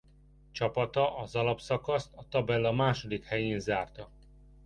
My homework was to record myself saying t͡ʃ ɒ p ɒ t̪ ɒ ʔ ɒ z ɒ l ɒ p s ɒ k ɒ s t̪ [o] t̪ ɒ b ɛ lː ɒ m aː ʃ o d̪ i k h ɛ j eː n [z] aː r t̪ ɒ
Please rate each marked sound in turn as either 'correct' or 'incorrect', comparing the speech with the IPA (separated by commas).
incorrect, correct